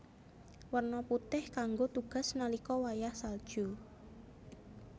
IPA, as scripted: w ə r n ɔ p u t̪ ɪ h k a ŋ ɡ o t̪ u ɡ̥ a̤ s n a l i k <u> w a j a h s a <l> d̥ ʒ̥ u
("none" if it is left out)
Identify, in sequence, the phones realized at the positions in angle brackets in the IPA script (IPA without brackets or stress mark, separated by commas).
ɔ, l